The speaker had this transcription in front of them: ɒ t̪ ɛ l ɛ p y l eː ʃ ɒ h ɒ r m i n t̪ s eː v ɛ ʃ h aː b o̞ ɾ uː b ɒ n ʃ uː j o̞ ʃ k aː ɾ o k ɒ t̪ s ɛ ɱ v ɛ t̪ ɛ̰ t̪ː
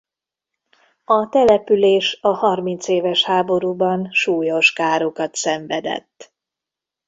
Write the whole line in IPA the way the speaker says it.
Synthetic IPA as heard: ɒ t̪ ɛ l ɛ p y l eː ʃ ɒ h ɒ r m i n t̪ s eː v ɛ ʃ h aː b o̞ ɾ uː b ɒ n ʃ uː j o̞ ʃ k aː ɾ o k ɒ t̪ s ɛ ɱ v ɛ d̪ ɛ̰ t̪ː